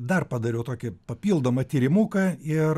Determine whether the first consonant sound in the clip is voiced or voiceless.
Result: voiced